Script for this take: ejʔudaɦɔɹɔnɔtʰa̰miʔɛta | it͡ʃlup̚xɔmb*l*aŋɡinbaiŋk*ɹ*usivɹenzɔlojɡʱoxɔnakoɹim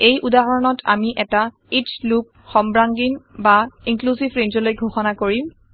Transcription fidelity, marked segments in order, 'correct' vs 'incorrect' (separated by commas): incorrect, incorrect